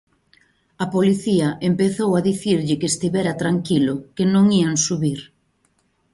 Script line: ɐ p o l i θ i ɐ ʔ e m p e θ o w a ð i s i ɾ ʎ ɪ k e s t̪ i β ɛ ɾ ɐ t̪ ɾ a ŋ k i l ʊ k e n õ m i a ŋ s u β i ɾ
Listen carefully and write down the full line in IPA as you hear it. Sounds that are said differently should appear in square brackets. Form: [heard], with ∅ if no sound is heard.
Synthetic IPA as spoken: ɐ p o l i θ i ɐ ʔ e m p e θ o w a ð i [θ] i ɾ ʎ ɪ k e s t̪ i β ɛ ɾ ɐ t̪ ɾ a ŋ k i l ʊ k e n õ [ŋ] i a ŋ s u β i ɾ